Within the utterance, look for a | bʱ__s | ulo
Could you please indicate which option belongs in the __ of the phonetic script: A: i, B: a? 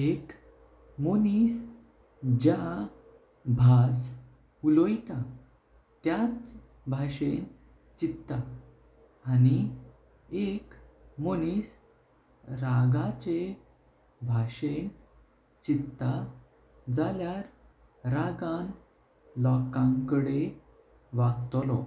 B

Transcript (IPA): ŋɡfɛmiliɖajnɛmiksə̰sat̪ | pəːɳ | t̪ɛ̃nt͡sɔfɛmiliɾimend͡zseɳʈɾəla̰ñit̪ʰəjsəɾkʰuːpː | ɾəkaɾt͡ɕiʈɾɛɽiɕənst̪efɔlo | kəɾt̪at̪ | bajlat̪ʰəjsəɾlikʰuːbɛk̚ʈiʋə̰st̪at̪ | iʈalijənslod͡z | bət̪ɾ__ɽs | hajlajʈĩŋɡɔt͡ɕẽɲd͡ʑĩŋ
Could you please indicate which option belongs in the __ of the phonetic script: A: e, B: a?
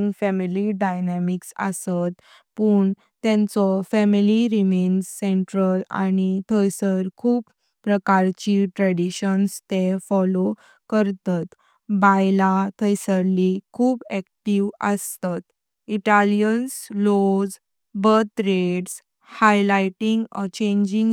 A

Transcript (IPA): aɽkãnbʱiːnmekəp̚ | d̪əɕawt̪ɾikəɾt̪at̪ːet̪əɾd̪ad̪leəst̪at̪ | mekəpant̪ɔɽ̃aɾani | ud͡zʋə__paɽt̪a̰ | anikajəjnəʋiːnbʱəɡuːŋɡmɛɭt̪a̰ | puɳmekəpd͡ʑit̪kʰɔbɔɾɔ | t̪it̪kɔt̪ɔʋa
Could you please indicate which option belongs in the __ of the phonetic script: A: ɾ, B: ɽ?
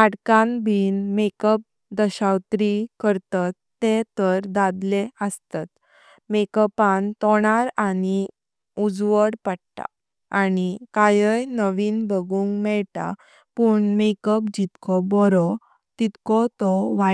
B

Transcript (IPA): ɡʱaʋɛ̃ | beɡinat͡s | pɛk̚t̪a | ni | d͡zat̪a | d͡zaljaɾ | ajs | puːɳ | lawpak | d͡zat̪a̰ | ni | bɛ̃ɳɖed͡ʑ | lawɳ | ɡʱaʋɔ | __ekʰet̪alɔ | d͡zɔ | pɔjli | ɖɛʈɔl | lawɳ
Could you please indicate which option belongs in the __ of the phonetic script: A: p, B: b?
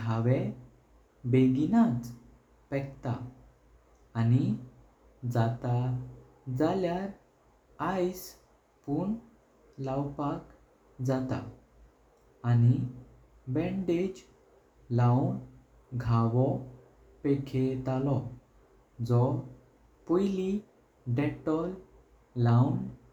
A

